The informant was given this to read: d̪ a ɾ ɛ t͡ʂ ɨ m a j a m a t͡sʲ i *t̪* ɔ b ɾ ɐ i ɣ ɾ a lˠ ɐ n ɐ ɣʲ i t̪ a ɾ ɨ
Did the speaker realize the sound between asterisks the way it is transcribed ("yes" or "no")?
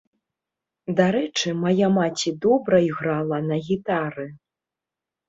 no